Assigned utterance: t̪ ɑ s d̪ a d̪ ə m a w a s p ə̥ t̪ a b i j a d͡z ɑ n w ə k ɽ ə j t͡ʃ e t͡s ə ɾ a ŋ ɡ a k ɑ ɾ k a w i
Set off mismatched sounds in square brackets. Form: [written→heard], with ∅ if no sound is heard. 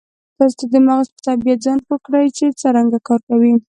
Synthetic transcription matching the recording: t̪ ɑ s [d̪→t̪] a d̪ ə m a [w→ɣ] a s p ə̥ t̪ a b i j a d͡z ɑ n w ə k ɽ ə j t͡ʃ e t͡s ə ɾ a ŋ ɡ a k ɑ ɾ k a w i